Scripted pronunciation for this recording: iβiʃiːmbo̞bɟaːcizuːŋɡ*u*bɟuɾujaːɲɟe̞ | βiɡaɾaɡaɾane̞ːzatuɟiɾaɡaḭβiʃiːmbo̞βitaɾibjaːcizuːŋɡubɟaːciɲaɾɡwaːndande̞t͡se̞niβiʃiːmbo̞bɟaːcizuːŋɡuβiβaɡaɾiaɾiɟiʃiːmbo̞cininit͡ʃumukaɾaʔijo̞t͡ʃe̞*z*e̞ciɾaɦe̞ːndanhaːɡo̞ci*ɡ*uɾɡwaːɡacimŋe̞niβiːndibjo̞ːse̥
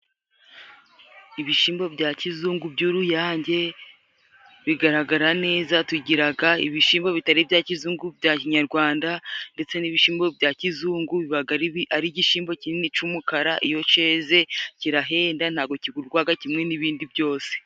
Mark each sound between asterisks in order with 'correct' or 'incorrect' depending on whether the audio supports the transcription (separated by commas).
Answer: correct, correct, correct